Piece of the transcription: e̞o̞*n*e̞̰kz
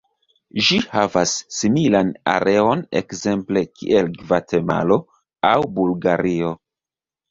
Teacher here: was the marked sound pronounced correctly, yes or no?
yes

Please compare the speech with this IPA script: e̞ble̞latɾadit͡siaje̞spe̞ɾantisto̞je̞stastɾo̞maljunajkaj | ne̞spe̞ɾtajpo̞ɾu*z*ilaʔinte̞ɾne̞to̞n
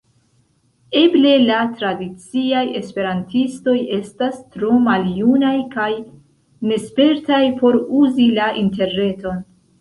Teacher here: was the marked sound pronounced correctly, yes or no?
yes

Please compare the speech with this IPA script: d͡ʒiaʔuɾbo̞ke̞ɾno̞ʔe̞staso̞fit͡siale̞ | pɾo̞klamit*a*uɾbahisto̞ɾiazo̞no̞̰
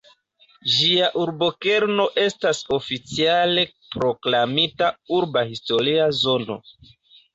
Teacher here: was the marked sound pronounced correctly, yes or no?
yes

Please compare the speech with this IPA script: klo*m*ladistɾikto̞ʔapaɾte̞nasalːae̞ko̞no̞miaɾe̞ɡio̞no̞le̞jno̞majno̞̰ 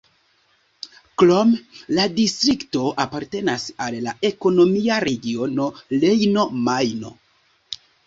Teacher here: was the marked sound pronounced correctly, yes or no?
yes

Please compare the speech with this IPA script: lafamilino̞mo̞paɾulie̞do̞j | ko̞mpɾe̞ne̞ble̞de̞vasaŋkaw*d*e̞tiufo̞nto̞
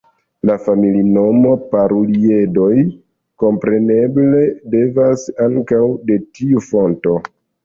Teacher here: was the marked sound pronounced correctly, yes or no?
yes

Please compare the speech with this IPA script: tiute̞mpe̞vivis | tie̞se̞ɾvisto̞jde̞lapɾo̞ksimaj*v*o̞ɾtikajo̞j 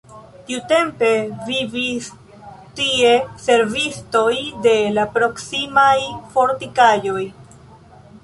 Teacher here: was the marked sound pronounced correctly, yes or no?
no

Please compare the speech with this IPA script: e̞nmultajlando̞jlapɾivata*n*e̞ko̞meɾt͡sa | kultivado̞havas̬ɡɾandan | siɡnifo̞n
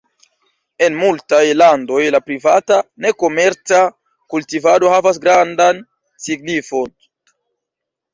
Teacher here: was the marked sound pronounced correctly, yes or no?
yes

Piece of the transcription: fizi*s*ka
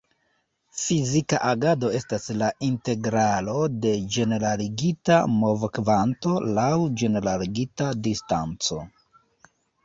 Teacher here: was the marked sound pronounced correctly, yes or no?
no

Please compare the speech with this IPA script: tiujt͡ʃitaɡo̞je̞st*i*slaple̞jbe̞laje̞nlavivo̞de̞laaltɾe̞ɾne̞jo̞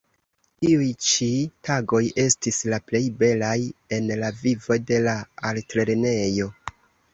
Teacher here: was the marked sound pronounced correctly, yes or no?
yes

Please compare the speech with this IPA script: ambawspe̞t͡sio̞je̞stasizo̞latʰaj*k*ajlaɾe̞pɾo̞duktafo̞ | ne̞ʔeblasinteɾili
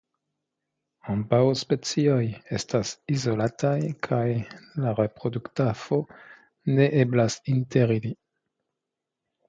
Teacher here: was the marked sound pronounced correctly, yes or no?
no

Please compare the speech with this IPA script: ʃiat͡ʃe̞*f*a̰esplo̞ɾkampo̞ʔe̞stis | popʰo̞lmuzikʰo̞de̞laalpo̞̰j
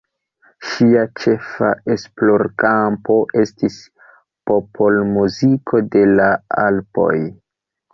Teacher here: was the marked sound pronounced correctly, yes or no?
yes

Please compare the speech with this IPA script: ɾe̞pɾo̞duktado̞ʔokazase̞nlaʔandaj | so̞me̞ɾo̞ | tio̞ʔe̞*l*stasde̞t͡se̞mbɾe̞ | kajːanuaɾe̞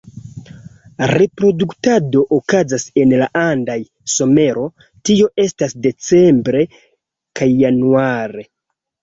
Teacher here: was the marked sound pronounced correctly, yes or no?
no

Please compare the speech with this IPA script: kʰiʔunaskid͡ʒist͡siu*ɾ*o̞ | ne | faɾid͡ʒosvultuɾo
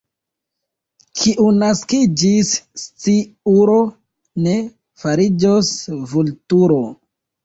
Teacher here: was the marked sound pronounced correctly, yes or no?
yes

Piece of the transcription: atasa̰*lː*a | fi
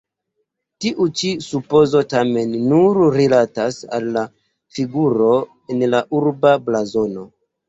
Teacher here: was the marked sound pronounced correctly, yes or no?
yes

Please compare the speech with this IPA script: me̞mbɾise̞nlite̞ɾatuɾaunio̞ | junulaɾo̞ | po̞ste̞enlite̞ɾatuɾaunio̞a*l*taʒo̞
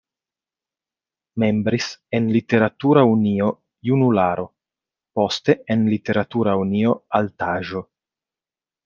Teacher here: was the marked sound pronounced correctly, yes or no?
yes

